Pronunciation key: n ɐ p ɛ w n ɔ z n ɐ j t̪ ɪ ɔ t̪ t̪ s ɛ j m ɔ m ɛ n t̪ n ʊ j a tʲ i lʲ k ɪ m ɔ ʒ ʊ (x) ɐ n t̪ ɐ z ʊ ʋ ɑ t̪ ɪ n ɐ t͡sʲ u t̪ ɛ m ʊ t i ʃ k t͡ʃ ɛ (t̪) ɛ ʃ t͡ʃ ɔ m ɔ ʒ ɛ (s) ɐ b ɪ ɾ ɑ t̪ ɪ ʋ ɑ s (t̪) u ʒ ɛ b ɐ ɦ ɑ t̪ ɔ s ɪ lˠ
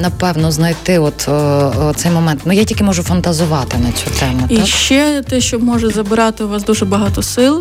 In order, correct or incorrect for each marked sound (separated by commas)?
incorrect, correct, incorrect, incorrect